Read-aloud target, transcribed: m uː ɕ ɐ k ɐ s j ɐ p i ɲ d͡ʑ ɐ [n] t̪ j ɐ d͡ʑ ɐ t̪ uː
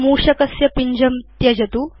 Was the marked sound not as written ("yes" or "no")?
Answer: yes